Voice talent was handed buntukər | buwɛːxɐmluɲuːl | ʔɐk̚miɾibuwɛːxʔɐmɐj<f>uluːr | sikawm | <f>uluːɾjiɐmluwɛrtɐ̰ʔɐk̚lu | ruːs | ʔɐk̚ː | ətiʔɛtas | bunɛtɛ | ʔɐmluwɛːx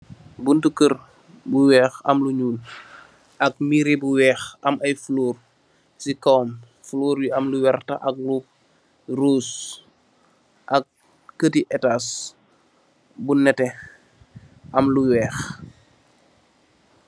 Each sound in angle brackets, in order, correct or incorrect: correct, correct

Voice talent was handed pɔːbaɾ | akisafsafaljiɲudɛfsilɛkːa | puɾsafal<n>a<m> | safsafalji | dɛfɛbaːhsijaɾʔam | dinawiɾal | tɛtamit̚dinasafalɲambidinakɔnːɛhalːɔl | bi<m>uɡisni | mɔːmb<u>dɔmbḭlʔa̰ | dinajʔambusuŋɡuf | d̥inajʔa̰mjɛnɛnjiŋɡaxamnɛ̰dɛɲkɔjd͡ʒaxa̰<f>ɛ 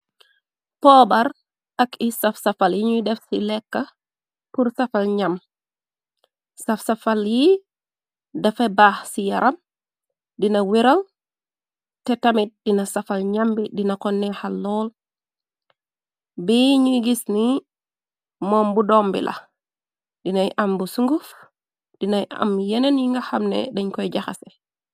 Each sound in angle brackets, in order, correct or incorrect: incorrect: ɲ, correct, incorrect: ɲ, correct, incorrect: s

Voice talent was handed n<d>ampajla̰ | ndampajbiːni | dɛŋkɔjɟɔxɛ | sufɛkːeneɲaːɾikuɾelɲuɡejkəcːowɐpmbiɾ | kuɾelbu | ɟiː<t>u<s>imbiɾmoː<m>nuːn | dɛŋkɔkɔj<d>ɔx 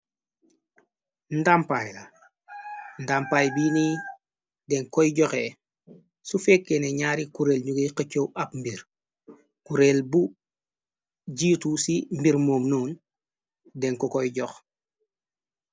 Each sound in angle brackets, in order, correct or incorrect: correct, correct, correct, correct, incorrect: ɟ

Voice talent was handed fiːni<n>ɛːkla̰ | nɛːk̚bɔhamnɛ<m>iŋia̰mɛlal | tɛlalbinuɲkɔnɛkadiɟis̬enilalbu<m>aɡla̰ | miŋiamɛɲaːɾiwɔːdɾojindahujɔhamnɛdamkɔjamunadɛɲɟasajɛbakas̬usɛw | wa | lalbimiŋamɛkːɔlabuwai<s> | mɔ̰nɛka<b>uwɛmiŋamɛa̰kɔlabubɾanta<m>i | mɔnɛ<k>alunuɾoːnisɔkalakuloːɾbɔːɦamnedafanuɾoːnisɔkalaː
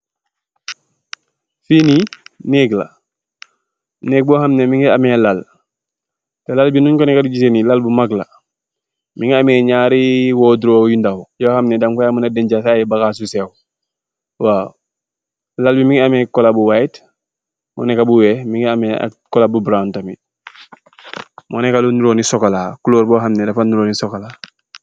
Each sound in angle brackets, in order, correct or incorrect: correct, correct, correct, incorrect: t, correct, correct, correct

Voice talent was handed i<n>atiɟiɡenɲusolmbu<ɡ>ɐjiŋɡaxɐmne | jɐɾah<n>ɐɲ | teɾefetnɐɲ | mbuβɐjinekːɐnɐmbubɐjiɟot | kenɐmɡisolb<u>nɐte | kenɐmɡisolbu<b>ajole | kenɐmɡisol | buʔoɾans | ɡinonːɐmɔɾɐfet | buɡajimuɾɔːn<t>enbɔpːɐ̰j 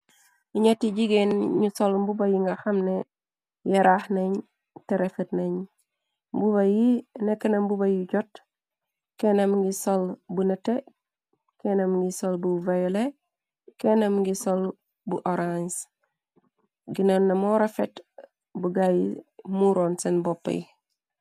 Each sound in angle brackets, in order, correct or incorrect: incorrect: ɲ, incorrect: b, correct, correct, incorrect: v, incorrect: s

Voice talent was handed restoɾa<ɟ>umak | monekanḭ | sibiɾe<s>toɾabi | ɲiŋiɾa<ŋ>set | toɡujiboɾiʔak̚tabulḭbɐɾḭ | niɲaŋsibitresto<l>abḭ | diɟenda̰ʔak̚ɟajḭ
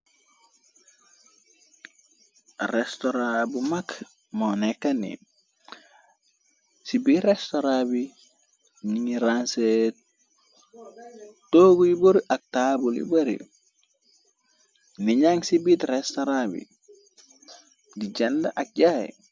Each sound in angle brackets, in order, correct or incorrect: incorrect: b, correct, incorrect: n, incorrect: ɾ

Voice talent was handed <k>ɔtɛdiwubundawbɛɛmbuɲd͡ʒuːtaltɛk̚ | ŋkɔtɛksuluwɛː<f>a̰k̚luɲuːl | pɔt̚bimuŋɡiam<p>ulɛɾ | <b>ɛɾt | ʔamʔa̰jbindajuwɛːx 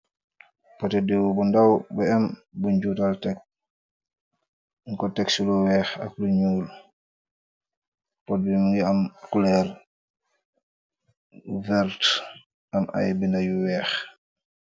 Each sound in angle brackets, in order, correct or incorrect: incorrect: p, incorrect: x, incorrect: k, incorrect: v

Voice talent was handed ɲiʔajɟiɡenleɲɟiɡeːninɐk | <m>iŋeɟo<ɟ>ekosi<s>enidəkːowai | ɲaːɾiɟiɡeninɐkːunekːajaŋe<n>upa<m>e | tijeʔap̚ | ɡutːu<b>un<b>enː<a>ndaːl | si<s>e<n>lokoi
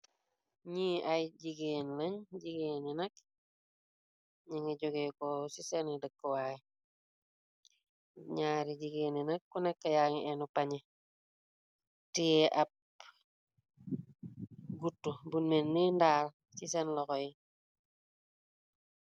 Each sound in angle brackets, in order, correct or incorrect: incorrect: ɲ, incorrect: ɡ, correct, correct, incorrect: ɲ, correct, incorrect: m, incorrect: i, correct, correct

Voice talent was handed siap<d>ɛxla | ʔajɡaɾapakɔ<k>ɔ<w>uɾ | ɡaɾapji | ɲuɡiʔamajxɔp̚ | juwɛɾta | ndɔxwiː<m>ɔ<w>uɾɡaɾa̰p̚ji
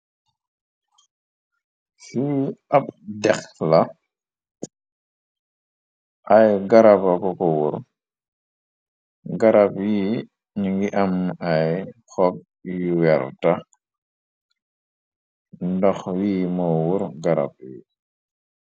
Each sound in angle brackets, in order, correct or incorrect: correct, correct, correct, correct, correct

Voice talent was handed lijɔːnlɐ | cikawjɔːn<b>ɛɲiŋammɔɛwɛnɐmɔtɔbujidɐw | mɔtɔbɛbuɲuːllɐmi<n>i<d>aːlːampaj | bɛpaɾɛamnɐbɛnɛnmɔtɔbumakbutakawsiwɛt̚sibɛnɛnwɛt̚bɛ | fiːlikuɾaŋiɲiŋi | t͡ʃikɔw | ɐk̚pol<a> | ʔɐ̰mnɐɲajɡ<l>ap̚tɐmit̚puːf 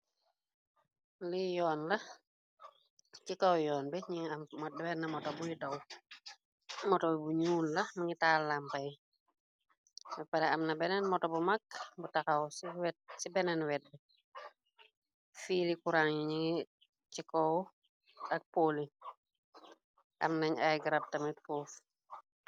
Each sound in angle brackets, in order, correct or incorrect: correct, incorrect: ŋ, incorrect: t, incorrect: i, incorrect: ɾ

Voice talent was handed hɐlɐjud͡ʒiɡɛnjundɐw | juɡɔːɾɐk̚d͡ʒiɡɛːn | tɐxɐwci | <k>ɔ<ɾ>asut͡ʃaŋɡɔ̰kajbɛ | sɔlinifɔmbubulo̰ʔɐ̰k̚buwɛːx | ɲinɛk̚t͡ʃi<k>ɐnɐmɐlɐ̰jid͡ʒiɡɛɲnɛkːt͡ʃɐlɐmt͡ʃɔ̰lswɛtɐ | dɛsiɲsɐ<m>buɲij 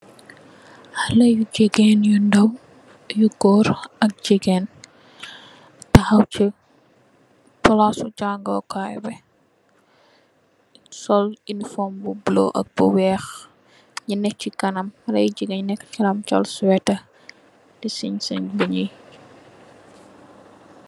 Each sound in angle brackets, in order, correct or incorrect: incorrect: p, incorrect: l, correct, incorrect: ɲ

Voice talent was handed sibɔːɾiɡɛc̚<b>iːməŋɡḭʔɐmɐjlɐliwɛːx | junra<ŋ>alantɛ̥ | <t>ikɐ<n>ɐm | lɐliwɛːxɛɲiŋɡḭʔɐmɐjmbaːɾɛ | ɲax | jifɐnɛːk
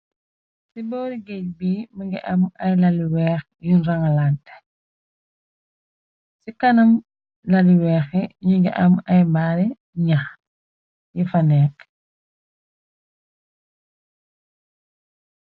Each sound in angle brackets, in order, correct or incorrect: correct, correct, incorrect: s, correct

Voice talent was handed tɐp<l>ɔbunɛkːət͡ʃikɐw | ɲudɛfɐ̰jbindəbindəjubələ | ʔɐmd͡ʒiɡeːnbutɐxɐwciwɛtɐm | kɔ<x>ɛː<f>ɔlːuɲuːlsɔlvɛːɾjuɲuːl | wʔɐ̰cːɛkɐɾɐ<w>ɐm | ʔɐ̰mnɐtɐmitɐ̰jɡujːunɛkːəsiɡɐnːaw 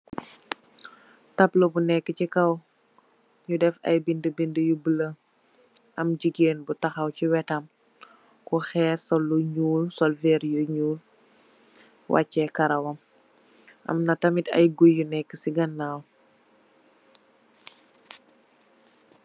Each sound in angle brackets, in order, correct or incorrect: correct, correct, incorrect: s, correct

